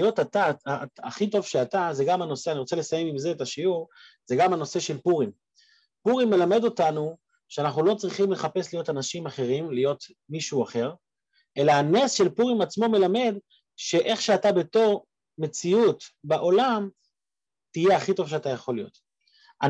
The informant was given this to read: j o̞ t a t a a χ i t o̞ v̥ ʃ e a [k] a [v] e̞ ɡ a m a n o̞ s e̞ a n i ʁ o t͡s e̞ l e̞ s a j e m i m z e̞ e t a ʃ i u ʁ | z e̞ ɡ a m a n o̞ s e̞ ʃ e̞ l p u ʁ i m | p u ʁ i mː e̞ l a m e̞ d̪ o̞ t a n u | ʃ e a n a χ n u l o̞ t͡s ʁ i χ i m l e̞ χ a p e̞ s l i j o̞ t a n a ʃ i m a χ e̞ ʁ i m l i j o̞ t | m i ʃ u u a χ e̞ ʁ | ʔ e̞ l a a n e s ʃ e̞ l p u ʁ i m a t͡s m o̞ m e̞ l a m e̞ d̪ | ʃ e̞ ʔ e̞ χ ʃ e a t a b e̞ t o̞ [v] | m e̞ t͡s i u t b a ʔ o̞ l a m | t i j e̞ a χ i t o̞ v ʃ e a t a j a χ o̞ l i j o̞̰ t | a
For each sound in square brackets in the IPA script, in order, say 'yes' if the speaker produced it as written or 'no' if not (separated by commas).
no, no, no